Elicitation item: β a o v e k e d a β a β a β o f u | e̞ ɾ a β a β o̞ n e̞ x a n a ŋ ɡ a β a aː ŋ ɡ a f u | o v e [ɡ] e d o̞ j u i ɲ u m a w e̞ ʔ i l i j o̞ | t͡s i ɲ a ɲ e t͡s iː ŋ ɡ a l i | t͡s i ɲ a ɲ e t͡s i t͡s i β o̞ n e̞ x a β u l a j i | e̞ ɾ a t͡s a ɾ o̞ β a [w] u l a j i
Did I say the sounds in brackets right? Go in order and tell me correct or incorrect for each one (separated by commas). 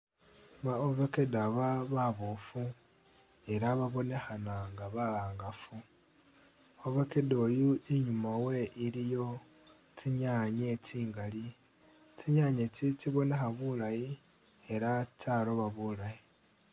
incorrect, incorrect